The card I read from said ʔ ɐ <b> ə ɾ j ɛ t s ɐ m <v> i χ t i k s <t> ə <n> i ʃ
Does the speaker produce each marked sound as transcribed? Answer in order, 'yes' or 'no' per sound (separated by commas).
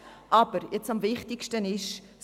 yes, yes, yes, yes